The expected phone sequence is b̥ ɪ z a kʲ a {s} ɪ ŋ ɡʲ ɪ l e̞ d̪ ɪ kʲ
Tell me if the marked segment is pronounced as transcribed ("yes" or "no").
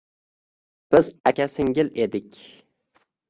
yes